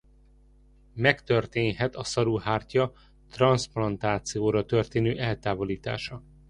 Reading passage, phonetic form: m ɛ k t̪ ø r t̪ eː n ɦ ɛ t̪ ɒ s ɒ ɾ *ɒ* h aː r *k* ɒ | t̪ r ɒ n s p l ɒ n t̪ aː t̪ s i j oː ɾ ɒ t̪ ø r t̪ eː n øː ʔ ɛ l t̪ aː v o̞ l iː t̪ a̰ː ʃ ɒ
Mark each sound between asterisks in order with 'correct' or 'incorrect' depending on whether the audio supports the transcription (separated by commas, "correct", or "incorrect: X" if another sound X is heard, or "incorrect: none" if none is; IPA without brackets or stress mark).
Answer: incorrect: u, incorrect: c